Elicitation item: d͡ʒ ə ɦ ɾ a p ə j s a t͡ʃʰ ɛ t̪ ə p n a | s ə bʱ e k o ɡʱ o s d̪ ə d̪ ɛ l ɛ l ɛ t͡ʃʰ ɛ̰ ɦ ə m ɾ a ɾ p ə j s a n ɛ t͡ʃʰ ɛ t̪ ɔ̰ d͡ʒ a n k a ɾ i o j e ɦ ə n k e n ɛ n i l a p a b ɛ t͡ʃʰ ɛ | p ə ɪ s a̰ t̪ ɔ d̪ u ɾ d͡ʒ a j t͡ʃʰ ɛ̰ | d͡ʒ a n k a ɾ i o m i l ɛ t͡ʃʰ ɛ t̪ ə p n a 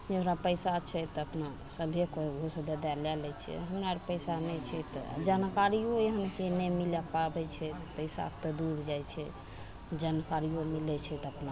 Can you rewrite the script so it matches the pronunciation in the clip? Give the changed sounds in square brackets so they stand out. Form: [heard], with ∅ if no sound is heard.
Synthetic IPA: d͡ʒ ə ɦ ɾ a p ə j s a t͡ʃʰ ɛ t̪ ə p n a | s ə bʱ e k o ɡʱ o s d̪ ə d̪ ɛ l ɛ l ɛ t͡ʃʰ ɛ̰ ɦ ə m ɾ a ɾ p ə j s a n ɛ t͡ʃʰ ɛ t̪ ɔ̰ d͡ʒ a n k a ɾ i o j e ɦ ə n k e n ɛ [m] i l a p a b ɛ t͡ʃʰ ɛ | p ə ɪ s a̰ t̪ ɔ d̪ u ɾ d͡ʒ a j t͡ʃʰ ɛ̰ | d͡ʒ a n k a ɾ i o m i l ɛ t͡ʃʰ ɛ t̪ ə p n a